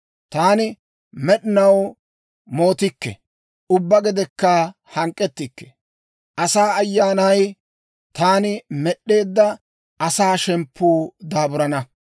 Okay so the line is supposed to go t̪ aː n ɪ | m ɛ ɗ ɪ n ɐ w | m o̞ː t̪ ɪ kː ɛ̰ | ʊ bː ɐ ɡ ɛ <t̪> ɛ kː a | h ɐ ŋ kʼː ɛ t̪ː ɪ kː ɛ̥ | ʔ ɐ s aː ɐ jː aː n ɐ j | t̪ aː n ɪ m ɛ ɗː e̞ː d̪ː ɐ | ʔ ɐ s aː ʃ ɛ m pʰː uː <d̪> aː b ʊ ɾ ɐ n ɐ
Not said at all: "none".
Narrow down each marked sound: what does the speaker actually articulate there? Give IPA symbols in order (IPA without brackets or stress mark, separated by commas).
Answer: d̪, d̪